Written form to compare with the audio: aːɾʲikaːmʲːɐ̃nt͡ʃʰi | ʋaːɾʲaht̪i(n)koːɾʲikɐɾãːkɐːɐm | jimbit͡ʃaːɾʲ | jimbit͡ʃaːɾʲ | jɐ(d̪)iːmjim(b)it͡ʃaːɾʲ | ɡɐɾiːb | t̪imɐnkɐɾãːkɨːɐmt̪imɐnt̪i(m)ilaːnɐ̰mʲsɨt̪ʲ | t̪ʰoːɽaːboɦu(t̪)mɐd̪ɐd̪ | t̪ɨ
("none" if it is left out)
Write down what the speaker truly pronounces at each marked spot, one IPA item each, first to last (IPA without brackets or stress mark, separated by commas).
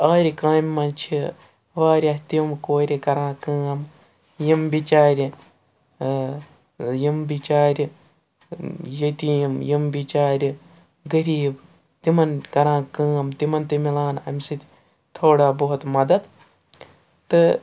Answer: m, t̪, b, m, t̪